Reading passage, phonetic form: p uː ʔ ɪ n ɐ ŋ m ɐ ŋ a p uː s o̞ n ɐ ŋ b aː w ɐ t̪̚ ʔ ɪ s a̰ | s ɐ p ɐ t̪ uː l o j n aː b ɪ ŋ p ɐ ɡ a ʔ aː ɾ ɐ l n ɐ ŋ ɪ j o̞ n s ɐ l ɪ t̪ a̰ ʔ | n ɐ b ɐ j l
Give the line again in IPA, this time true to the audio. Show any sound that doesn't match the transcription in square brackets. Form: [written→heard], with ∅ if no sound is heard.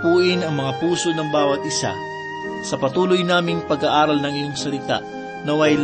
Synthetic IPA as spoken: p uː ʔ ɪ n ɐ ŋ m ɐ ŋ a p uː s o̞ n ɐ ŋ b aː w ɐ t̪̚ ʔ ɪ s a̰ | s ɐ p ɐ t̪ uː l o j n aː [b→m] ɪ ŋ p ɐ ɡ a ʔ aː ɾ ɐ l n ɐ ŋ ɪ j o̞ [n→ŋ] s ɐ l ɪ t̪ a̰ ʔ | n ɐ [b→w] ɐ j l